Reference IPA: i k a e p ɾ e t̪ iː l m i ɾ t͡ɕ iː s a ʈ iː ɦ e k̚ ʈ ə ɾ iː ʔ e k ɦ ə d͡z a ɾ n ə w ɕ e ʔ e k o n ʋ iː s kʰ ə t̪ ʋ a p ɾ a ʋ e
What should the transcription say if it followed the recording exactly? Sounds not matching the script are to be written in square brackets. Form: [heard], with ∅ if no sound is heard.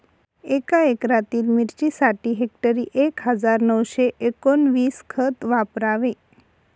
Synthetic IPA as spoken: [e] k a e [k] ɾ [a] t̪ iː l m i ɾ t͡ɕ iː s a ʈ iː ɦ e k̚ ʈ ə ɾ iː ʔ e k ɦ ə d͡z a ɾ n ə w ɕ e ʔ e k o n ʋ iː s kʰ ə t̪ ʋ a p ɾ a ʋ e